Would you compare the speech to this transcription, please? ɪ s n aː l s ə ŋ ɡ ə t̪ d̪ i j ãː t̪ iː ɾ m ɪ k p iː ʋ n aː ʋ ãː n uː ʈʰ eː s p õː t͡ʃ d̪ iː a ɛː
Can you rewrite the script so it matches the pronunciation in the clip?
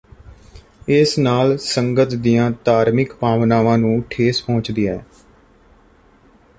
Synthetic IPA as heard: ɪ s n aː l s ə ŋ ɡ ə t̪ d̪ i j ãː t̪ aː ɾ m ɪ k p aː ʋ n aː ʋ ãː n ũː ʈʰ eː s p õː t͡ʃ d̪ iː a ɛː